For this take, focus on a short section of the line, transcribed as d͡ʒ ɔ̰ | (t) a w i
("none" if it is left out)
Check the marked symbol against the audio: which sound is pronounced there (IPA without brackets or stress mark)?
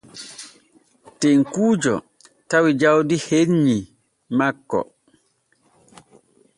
t